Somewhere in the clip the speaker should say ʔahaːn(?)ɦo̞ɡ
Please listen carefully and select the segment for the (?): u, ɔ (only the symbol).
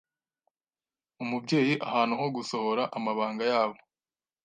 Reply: u